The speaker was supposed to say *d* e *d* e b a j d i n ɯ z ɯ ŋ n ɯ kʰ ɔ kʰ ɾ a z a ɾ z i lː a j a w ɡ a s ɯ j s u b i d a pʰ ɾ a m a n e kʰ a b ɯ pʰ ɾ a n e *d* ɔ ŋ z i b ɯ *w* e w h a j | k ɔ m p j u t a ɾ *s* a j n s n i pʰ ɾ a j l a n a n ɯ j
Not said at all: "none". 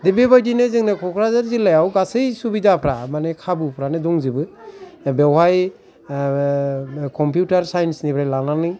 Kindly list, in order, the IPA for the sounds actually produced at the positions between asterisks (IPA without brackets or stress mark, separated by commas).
d, b, d, b, s